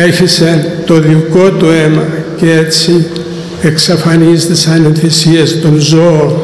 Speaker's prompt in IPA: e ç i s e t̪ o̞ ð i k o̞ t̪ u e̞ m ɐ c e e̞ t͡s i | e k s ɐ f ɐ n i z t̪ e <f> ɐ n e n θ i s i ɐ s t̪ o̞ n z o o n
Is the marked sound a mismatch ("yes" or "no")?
yes